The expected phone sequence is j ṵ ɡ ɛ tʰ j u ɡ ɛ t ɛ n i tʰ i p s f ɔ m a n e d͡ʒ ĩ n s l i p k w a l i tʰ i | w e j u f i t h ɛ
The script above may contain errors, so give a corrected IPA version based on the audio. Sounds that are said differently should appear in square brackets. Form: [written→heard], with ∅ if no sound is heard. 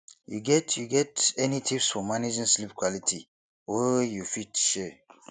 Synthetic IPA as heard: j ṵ ɡ ɛ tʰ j u ɡ ɛ t ɛ n i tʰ i p s f ɔ m a n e d͡ʒ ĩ n s l i p k w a l i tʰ i | w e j u f i t [h→ʃ] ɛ

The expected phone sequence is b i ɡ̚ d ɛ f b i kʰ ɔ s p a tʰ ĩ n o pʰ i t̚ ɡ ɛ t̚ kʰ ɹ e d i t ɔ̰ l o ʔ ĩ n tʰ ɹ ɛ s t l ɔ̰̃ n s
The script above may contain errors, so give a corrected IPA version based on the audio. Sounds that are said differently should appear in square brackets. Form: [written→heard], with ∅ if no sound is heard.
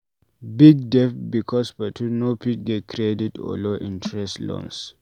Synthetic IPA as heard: b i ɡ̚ d ɛ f b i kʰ ɔ s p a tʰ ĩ n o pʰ i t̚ ɡ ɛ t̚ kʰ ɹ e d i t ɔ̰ l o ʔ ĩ n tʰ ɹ ɛ s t l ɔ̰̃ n s

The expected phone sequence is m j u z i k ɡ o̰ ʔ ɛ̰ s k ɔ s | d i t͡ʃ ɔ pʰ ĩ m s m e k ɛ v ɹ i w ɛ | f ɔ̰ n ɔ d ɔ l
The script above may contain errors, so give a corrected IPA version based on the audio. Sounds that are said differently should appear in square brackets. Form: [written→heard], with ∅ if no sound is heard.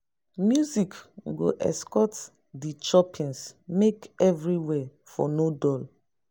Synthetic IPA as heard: m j u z i k ɡ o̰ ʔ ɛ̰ s k ɔ [s→t] | d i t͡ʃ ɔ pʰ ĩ [m→n] s m e k ɛ v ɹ i w ɛ | f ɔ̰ n [ɔ→o] d ɔ l

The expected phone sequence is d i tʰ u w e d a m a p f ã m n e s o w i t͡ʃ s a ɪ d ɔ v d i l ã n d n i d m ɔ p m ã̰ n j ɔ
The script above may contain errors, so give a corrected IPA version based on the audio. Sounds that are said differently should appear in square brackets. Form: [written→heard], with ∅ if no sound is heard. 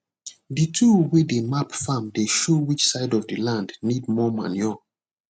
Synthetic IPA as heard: d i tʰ u w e d [a→e] m a p f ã m [n→d] e [s→ʃ] o w i t͡ʃ s a ɪ d ɔ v d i l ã n d n i d m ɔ [p→∅] m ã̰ n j ɔ

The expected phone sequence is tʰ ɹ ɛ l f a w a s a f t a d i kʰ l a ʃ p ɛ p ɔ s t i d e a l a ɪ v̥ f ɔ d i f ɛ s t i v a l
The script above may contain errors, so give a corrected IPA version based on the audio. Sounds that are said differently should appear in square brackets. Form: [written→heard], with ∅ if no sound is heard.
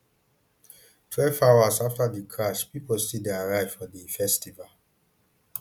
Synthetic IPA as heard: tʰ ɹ ɛ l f a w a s a f t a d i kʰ [l→ɹ] a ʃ p [ɛ→i] p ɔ s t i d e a [l→ɹ] a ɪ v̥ f ɔ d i f ɛ s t i v a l

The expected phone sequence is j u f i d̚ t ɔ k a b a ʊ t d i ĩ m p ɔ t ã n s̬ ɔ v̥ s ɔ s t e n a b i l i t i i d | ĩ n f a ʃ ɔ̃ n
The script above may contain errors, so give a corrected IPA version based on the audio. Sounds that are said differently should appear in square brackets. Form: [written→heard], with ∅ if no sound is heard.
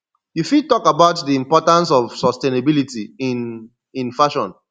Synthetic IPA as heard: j u f i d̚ t ɔ k a b a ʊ t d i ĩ m p ɔ t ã n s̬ ɔ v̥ s ɔ s t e n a b i l i t i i [d→n] | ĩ n f a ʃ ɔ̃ n

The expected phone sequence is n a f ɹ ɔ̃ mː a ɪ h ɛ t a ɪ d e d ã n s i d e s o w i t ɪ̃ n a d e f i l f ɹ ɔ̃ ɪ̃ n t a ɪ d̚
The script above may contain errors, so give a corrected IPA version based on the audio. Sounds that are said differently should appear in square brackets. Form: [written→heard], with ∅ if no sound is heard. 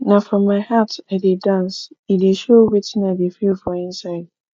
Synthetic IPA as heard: n a f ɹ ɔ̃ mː a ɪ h [ɛ→a] t a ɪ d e d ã n s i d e [s→ʃ] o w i t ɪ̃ n a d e f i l f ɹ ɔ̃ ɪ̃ n [t→s] a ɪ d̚

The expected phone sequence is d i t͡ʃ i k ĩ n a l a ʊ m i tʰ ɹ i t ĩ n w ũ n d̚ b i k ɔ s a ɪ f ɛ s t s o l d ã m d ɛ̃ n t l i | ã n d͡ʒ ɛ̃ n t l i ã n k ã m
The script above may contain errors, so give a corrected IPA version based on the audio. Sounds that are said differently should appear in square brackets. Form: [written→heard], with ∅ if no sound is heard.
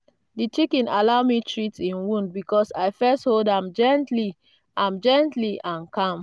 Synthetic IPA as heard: d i t͡ʃ i k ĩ n a l a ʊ m i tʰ ɹ i t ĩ n w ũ n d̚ b i k ɔ s a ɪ f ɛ s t [s→h] o l d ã m [d→d͡ʒ] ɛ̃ n t l i | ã [n→m] d͡ʒ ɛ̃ n t l i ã n k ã m

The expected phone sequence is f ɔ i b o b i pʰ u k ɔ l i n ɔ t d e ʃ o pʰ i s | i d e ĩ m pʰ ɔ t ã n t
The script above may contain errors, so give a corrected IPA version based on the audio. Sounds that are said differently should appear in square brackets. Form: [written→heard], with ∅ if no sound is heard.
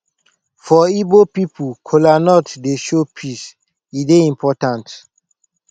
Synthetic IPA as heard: f ɔ i b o [b→p] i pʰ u [k→kʰ] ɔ l [i→a] n ɔ t d e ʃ o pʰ i s | i d e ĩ m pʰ ɔ t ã n t

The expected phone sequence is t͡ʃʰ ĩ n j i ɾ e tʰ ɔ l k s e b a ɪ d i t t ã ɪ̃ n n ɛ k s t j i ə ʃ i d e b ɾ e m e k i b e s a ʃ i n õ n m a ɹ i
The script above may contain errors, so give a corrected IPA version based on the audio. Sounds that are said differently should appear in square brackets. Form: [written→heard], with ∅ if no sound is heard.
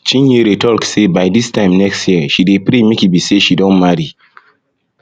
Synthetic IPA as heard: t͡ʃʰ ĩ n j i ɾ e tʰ ɔ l k s e b a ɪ d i [t→s] t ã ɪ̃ [n→m] n ɛ k s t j i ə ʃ i d e [b→p] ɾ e m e k i b [e→i] s [a→e] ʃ i [n→d] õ n m a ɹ i

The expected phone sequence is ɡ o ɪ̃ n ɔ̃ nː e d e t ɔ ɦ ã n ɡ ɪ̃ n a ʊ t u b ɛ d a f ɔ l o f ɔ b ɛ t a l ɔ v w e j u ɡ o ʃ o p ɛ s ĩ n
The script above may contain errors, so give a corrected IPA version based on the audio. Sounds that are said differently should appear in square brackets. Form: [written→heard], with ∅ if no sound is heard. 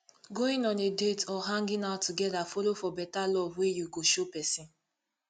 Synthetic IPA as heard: ɡ o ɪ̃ n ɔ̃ [nː→n] e d e t ɔ ɦ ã [n→ŋ] ɡ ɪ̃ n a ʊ t u [b→ɡ] ɛ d a f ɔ l o f ɔ b ɛ t a l ɔ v w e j u ɡ o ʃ o p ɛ s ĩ n

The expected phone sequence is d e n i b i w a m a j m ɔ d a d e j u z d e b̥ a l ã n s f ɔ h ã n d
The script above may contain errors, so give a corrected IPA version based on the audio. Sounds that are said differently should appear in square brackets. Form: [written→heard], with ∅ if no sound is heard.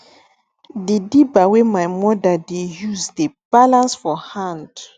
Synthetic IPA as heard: d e [n→d] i b [i→a] w [a→e] m a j m ɔ d a d e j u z d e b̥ a l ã n s f ɔ h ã n d

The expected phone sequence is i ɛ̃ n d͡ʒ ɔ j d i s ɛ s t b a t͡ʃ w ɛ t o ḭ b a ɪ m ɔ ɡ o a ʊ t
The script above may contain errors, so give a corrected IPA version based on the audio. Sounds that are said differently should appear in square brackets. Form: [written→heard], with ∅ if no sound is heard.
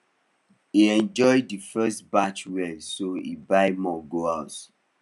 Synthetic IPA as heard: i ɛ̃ n d͡ʒ ɔ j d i [s→f] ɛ s t b a t͡ʃ w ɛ [t→s] o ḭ b a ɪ m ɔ ɡ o a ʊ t

